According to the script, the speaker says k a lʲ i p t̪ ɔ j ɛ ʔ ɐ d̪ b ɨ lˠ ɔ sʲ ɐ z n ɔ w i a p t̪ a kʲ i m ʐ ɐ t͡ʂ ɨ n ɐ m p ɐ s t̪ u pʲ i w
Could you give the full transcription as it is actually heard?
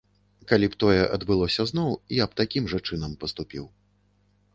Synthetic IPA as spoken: k a lʲ i p t̪ ɔ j ɛ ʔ ɐ d̪ b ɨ lˠ ɔ sʲ ɐ z n ɔ w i a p t̪ a kʲ i m ʐ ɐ t͡ʂ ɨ n ɐ m p ɐ s t̪ u pʲ i w